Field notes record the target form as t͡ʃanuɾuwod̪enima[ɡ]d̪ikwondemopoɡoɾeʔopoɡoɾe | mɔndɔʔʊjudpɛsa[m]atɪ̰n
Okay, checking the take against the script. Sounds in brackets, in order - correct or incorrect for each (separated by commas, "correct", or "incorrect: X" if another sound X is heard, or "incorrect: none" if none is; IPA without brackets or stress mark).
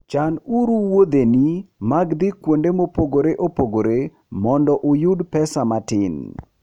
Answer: correct, correct